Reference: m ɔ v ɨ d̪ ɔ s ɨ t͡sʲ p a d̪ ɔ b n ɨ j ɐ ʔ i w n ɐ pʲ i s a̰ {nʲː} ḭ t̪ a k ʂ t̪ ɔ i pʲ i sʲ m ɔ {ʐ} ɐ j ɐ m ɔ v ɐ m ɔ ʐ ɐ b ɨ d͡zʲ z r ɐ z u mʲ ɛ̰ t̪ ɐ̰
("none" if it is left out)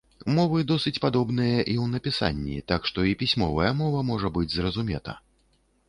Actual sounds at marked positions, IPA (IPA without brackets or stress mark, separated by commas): nʲː, v